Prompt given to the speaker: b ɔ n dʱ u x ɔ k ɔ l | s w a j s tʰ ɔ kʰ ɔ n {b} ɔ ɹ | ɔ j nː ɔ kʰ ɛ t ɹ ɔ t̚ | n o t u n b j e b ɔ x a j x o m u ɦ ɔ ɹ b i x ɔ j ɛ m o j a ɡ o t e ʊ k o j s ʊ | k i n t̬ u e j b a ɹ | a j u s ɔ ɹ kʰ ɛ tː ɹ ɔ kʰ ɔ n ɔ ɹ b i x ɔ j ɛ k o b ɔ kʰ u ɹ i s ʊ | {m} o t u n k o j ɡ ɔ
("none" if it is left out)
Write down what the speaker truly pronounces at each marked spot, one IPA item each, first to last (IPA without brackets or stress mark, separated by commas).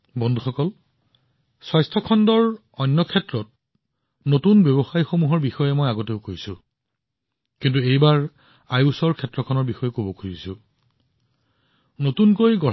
d, n